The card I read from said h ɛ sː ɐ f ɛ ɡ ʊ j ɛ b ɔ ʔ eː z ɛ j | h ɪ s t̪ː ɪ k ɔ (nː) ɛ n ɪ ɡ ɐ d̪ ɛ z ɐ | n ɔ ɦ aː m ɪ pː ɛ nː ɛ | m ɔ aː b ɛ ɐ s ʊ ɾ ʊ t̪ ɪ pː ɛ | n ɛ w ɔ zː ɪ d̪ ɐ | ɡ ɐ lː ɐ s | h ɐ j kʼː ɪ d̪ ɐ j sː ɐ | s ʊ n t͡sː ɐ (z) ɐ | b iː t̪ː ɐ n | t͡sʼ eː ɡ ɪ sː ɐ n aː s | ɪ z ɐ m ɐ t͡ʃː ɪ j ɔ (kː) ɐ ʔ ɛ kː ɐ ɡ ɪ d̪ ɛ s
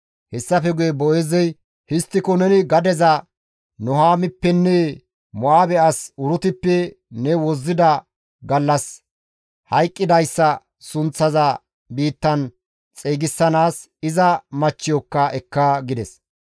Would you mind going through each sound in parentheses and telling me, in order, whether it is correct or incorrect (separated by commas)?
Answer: incorrect, correct, correct